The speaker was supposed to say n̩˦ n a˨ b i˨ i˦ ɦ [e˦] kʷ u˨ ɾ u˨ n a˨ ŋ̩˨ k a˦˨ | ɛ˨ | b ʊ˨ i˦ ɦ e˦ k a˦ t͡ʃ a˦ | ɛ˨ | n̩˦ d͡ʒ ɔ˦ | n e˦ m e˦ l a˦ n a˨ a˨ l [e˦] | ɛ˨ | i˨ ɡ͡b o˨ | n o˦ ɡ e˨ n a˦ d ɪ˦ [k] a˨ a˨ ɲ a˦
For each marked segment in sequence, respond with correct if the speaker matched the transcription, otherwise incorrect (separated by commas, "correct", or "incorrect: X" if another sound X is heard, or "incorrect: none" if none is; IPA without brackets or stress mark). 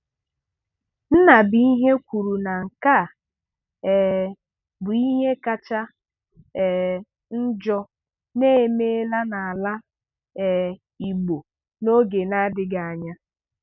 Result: correct, incorrect: a˦, incorrect: ɡ